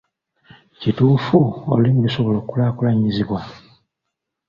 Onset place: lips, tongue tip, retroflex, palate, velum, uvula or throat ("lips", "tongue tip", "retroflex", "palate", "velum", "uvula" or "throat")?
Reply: palate